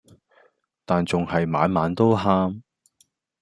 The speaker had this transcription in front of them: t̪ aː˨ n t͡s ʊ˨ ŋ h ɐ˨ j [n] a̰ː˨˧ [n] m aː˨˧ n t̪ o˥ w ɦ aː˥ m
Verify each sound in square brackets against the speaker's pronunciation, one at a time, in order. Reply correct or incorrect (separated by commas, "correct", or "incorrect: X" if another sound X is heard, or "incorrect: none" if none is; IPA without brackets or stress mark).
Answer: incorrect: m, correct